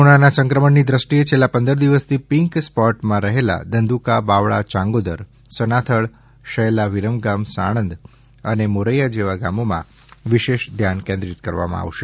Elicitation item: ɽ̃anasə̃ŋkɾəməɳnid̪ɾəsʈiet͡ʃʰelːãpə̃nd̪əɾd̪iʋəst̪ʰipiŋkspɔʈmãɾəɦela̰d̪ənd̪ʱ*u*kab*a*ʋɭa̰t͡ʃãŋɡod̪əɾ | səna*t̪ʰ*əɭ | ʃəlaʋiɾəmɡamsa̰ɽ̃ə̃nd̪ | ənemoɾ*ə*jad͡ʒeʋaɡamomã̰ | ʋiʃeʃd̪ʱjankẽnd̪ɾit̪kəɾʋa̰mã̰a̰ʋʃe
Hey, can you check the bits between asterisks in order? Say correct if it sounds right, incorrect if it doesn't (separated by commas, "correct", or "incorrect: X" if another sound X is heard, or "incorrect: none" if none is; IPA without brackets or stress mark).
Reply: correct, correct, correct, correct